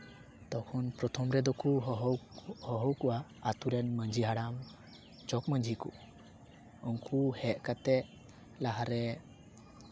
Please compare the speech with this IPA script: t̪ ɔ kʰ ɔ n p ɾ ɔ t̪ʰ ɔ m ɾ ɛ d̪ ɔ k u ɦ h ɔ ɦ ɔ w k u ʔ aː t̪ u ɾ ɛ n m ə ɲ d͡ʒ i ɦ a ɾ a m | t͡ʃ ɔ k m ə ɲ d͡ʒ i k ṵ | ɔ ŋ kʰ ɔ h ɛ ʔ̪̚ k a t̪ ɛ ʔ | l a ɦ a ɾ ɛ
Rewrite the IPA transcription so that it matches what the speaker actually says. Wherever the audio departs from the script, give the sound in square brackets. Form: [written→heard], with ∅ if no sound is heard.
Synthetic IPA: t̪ ɔ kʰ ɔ n p ɾ ɔ t̪ʰ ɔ m ɾ ɛ d̪ ɔ k u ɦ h ɔ ɦ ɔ w k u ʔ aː t̪ u ɾ ɛ n m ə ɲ d͡ʒ i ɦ a [ɾ→ɽ] a m | t͡ʃ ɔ k m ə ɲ d͡ʒ i k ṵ | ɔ ŋ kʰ [ɔ→u] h ɛ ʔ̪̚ k a t̪ ɛ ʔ | l a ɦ a ɾ ɛ

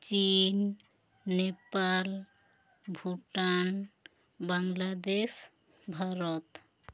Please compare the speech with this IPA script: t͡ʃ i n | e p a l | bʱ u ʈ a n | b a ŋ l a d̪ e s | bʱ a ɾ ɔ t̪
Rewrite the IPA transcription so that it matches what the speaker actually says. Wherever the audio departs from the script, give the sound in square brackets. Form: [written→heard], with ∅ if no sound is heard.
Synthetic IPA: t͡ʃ i [n→nː] | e p a l | bʱ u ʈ a n | b a ŋ l a d̪ e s | bʱ a ɾ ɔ t̪

